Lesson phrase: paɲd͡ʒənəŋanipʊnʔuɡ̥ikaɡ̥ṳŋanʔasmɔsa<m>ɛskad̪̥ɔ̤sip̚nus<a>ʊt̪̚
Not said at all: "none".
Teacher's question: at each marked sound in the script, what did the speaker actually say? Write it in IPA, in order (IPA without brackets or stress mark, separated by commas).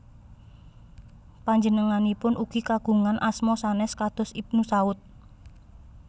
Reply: n, a